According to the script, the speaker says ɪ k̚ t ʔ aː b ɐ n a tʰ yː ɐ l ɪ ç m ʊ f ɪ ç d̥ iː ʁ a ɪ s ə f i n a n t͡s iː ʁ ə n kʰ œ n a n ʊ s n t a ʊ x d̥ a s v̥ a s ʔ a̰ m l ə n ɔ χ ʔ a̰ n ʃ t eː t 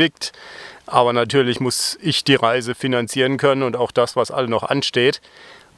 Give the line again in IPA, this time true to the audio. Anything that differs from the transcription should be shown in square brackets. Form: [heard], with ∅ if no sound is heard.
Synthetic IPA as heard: ɪ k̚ t ʔ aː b ɐ n a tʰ yː ɐ l ɪ ç m ʊ [s] ɪ ç d̥ iː ʁ a ɪ [z] ə f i n a n t͡s iː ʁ ə n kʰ œ n [ə] n ʊ [∅] n t a ʊ x d̥ a s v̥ a s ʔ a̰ [∅] l ə n ɔ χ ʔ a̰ n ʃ t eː t